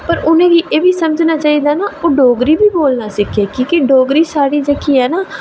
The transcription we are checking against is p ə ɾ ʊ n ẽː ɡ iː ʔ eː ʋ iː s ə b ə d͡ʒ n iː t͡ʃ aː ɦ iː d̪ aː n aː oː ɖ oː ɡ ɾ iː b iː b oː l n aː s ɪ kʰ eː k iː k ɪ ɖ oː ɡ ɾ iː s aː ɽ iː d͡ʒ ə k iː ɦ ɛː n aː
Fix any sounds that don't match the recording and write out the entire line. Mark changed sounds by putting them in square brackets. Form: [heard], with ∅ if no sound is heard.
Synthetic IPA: p ə ɾ ʊ n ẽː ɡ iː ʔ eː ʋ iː s ə [m] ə d͡ʒ n [aː] t͡ʃ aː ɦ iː d̪ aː n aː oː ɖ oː ɡ ɾ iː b iː b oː l n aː s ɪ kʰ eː k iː k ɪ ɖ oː ɡ ɾ iː s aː ɽ iː d͡ʒ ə k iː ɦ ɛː n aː